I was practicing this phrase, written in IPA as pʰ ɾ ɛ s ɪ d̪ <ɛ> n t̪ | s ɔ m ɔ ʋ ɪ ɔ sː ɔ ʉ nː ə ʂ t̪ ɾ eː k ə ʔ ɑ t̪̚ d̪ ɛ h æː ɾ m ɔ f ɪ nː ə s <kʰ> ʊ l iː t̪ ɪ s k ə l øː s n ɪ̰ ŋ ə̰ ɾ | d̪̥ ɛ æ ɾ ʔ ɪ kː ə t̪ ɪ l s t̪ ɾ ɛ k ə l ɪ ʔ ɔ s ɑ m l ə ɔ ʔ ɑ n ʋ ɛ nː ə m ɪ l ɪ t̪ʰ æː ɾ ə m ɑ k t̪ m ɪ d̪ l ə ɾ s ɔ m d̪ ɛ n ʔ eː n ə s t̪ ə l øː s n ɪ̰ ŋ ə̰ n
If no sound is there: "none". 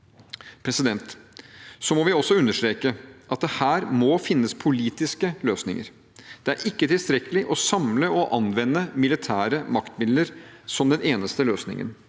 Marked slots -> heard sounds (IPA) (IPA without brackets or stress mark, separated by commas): ɛ, pʰ